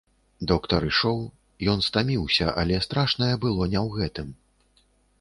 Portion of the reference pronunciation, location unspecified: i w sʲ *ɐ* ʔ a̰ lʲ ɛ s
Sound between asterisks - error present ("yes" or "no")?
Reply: no